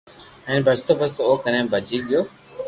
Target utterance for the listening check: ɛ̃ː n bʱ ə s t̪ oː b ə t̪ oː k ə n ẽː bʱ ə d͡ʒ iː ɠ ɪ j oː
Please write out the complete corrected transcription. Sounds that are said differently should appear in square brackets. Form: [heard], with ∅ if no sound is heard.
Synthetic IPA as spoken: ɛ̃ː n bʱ ə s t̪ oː b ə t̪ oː k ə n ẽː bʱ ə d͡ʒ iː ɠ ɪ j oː